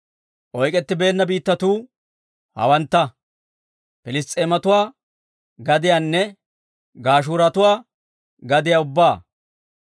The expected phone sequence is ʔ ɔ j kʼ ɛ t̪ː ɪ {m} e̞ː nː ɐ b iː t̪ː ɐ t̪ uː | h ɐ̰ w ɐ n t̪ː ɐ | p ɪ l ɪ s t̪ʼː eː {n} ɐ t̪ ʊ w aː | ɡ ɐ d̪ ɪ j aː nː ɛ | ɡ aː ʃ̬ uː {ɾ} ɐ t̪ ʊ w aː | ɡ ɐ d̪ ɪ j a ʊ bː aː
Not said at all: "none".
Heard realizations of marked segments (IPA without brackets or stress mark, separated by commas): b, m, ɾ